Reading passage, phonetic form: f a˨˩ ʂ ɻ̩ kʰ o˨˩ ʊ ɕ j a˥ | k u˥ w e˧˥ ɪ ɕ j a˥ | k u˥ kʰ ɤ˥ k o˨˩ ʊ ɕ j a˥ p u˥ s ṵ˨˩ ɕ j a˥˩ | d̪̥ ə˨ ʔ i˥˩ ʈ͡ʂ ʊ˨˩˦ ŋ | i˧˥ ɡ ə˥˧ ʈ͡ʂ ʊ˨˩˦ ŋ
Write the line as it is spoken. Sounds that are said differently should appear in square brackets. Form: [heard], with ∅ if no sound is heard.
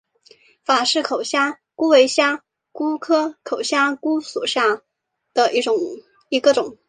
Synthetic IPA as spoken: f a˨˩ ʂ ɻ̩ kʰ o˨˩ ʊ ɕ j a˥ | k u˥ w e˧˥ ɪ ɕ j a˥ | k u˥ kʰ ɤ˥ [kʰ] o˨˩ ʊ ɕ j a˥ [k] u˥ s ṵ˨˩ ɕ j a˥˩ | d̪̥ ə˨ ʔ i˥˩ ʈ͡ʂ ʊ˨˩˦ ŋ | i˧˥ ɡ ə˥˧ ʈ͡ʂ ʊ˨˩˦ ŋ